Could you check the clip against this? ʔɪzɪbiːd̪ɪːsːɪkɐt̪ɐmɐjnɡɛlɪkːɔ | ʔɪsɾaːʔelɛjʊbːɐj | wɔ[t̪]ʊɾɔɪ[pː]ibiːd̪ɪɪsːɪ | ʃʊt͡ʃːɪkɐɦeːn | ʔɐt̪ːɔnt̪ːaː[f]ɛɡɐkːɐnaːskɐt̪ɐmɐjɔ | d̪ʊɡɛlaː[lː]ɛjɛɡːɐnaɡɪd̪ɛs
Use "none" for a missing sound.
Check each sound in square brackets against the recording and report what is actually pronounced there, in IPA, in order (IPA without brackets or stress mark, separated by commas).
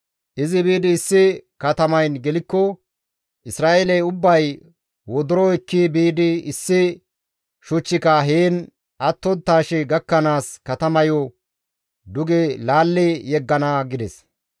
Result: d̪, kː, ʃ, lː